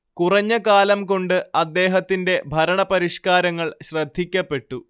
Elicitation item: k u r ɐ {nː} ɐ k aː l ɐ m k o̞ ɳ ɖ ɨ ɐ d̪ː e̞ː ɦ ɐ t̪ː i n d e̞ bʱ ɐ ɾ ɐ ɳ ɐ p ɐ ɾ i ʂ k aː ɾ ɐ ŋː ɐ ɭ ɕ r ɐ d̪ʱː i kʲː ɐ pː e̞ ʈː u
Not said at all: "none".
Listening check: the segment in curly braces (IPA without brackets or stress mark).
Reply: ɲː